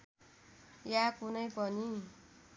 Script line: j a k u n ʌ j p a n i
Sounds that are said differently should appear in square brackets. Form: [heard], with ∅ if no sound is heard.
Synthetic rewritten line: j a k u n ʌ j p [ʌ] n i